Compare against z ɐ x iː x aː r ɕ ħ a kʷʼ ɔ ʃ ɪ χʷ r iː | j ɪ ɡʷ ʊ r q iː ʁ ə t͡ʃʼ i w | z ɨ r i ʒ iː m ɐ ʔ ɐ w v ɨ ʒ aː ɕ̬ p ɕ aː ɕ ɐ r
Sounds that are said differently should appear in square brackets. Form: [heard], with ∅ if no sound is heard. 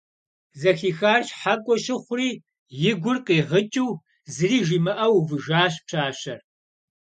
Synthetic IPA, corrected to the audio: z ɐ x iː x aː r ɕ ħ a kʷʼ ɔ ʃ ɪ χʷ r iː | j ɪ ɡʷ ʊ r q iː ʁ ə t͡ʃʼ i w | z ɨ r [iː] ʒ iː m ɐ ʔ ɐ w v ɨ ʒ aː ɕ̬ p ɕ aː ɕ ɐ r

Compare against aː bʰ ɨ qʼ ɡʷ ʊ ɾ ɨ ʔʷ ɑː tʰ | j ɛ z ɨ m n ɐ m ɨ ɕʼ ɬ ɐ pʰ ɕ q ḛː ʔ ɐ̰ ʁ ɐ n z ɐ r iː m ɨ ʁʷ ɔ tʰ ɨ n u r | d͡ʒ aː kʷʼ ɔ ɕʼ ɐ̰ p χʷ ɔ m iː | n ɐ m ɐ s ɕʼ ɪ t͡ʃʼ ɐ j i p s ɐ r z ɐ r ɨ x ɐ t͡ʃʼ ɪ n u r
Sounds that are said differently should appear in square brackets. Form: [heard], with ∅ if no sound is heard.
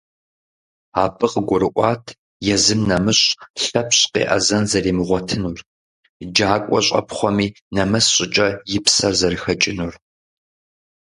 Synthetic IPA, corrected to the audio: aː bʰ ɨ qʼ ɡʷ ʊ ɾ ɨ ʔʷ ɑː tʰ | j ɛ z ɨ m n ɐ m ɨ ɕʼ ɬ ɐ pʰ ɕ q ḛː ʔ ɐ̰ [z] ɐ n z ɐ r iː m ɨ ʁʷ ɔ tʰ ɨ n u r | d͡ʒ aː kʷʼ ɔ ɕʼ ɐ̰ p χʷ ɔ m iː | n ɐ m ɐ s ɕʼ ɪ t͡ʃʼ ɐ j [ɪ] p s ɐ r z ɐ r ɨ x ɐ t͡ʃʼ ɪ n u r

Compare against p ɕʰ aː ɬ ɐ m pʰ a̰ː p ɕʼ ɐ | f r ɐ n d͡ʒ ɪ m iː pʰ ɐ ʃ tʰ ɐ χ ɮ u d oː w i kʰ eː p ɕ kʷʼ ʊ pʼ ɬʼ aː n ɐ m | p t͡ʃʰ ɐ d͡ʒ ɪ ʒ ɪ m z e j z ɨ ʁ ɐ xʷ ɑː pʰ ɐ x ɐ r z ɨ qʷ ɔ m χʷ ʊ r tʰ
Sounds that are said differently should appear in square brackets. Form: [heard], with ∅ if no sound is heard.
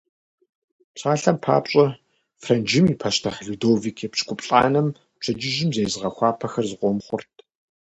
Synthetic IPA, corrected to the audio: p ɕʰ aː ɬ ɐ m pʰ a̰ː p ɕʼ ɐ | f r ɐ n d͡ʒ ɪ m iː pʰ ɐ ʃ tʰ ɐ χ ɮ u d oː [v] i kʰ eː p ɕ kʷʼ ʊ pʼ ɬʼ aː n ɐ m | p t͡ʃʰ ɐ d͡ʒ ɪ ʒ ɪ m z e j z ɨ ʁ ɐ xʷ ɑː pʰ ɐ x ɐ r z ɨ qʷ ɔ m χʷ ʊ r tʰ

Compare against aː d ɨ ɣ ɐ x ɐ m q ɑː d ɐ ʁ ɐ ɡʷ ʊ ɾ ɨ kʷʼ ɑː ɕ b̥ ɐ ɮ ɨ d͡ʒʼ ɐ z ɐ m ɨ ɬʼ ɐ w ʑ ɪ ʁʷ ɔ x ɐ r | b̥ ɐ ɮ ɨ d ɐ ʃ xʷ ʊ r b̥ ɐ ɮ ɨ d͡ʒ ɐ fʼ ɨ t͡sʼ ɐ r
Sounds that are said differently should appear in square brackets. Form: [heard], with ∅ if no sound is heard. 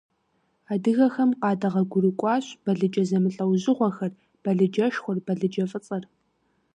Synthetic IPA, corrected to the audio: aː d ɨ ɣ ɐ x ɐ m q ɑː d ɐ ʁ ɐ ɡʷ ʊ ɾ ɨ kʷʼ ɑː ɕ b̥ ɐ ɮ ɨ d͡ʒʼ ɐ z ɐ m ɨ ɬʼ ɐ w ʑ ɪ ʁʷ ɔ x ɐ r | b̥ ɐ ɮ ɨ [d͡ʒ] ɐ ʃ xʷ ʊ r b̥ ɐ ɮ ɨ d͡ʒ ɐ fʼ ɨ t͡sʼ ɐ r

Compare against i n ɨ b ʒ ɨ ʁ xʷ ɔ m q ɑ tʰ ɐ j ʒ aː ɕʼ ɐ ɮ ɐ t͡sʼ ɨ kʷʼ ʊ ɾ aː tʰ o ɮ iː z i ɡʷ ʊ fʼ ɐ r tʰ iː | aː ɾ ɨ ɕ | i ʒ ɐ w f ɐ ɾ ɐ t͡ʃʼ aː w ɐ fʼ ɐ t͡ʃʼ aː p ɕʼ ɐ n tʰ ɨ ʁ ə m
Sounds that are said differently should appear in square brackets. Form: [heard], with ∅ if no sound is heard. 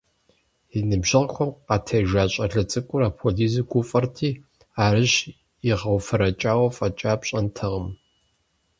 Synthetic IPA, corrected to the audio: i n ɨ b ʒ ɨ ʁ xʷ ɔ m q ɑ tʰ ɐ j ʒ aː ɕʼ ɐ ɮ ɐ t͡sʼ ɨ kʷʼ ʊ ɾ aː [pʰ] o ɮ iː z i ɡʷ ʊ fʼ ɐ r tʰ iː | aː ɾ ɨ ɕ | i [ʁ] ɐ w f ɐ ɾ ɐ t͡ʃʼ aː w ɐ fʼ ɐ t͡ʃʼ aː p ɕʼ ɐ n tʰ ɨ ʁ ə m

